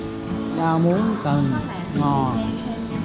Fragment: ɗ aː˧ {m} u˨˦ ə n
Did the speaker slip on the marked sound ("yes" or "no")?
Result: no